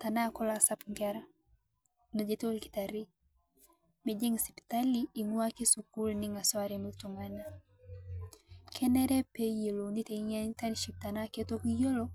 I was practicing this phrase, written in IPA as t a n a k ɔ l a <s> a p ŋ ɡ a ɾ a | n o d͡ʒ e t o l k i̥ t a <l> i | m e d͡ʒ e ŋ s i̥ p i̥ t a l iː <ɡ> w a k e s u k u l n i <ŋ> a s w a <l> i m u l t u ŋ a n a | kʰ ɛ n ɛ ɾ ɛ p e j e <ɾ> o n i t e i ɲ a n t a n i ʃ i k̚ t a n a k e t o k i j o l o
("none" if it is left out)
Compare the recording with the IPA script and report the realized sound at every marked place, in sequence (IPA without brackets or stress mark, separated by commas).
s, ɾ, ŋ, ŋ, ɾ, l